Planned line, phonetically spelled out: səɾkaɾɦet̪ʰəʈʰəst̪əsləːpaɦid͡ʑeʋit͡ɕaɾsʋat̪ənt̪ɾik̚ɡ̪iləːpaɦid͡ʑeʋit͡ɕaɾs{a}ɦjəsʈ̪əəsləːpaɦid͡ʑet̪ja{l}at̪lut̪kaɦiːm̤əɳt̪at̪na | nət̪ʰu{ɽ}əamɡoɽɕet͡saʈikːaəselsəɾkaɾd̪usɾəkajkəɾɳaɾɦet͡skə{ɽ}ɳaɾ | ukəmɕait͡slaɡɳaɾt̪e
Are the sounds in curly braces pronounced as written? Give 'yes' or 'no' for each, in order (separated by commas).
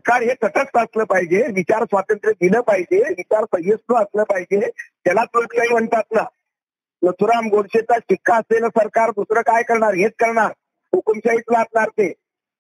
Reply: no, yes, no, no